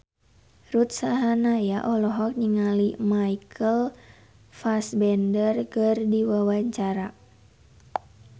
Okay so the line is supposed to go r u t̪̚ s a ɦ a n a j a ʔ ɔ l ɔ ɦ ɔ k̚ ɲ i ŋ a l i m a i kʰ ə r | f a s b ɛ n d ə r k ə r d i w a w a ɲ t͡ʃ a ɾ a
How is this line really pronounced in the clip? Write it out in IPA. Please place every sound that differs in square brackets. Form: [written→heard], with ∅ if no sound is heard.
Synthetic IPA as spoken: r u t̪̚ s a ɦ a n a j a ʔ ɔ l ɔ ɦ ɔ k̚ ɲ i ŋ a l i m a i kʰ ə [r→l] | f a s b ɛ n d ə r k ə r d i w a w a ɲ t͡ʃ a ɾ a